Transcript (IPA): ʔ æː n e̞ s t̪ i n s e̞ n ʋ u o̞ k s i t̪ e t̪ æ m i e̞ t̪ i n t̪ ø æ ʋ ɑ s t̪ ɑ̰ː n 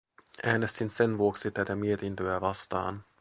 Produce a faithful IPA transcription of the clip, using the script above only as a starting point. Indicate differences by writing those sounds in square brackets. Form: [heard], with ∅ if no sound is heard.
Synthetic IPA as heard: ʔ æː n e̞ s t̪ i n s e̞ n ʋ u o̞ k s i t̪ [æ] t̪ æ m i e̞ t̪ i n t̪ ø æ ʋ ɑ s t̪ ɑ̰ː n